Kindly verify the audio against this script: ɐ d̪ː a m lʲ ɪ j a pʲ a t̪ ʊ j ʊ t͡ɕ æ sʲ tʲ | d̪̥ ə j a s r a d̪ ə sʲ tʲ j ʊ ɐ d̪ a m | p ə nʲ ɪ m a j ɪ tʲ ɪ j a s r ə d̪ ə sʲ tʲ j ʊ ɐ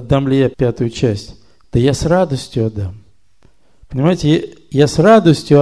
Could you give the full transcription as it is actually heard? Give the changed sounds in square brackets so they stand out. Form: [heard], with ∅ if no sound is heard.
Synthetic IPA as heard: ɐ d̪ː a m lʲ ɪ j a pʲ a t̪ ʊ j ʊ t͡ɕ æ sʲ tʲ | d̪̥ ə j a s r a d̪ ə sʲ tʲ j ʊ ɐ d̪ a m | p ə nʲ ɪ m a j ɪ tʲ ɪ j a s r [a] d̪ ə sʲ tʲ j ʊ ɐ